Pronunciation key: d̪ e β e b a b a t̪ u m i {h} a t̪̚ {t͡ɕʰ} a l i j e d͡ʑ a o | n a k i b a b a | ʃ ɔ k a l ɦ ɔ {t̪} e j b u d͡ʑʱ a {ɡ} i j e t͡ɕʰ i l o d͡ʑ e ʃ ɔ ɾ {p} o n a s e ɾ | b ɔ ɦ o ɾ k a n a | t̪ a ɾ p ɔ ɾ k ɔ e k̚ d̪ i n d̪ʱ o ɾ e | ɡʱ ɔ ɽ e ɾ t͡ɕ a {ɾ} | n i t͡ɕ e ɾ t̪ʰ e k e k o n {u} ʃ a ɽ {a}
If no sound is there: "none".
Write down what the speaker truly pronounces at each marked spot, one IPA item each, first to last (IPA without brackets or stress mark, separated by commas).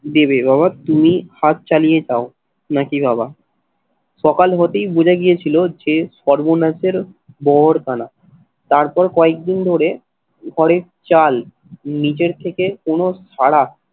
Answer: h, t͡ɕ, t̪, ɡ, b, l, o, a